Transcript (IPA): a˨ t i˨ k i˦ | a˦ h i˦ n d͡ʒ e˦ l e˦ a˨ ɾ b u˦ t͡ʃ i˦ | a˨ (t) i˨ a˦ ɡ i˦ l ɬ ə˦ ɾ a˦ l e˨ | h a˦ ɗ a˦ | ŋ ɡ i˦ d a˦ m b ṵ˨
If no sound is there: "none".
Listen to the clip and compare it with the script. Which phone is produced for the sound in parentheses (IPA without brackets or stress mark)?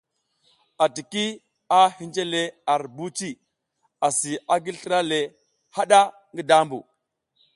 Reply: s